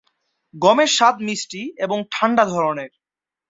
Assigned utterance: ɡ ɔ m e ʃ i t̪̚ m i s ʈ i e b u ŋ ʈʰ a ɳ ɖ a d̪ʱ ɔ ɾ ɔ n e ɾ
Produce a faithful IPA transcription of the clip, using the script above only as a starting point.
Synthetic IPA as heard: ɡ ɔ m e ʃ a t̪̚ m i s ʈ i e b o ŋ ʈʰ a ɳ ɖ a d̪ʱ ɔ ɾ o n e ɾ